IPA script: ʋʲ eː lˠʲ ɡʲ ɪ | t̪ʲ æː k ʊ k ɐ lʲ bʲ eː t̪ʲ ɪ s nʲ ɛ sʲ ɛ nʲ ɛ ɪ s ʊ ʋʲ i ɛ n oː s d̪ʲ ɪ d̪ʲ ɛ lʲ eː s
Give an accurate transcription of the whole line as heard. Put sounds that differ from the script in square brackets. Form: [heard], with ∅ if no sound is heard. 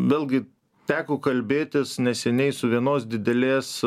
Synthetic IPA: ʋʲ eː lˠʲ ɡʲ ɪ | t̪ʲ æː k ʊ k ɐ lʲ bʲ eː t̪ʲ ɪ s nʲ ɛ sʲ ɛ nʲ ɛ ɪ s ʊ ʋʲ i ɛ n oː s d̪ʲ ɪ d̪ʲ ɛ lʲ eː s